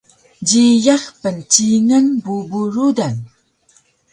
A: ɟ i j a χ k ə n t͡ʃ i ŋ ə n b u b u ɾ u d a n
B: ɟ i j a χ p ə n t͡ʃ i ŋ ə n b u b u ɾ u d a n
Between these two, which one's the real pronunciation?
B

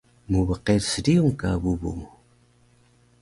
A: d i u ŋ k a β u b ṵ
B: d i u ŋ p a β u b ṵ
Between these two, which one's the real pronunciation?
A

